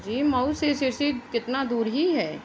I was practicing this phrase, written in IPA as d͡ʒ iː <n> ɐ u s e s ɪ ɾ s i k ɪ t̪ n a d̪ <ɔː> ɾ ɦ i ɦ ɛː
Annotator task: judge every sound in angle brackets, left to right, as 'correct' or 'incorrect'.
incorrect: m, incorrect: uː

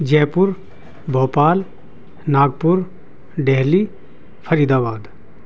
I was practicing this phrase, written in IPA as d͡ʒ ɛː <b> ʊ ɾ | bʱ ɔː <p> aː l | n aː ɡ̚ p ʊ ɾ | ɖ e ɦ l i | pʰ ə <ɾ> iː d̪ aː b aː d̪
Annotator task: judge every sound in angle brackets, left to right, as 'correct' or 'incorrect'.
incorrect: p, correct, correct

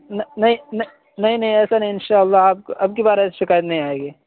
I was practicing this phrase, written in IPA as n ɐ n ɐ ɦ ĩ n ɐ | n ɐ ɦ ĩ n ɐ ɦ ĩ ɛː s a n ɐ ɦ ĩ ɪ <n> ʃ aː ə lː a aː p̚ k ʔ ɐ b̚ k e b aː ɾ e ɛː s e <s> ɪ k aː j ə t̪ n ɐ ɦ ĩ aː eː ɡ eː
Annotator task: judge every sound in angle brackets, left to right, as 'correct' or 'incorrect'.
correct, incorrect: ʃ

